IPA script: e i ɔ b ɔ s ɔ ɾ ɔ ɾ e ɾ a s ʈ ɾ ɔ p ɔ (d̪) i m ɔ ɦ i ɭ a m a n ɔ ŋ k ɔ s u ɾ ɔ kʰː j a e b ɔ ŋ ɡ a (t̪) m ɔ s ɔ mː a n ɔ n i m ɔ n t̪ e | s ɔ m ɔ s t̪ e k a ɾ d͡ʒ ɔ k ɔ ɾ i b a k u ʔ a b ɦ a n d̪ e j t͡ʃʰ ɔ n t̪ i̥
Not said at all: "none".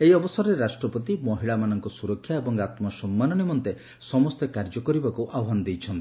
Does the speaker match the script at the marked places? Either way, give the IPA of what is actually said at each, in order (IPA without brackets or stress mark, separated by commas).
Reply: t̪, t̪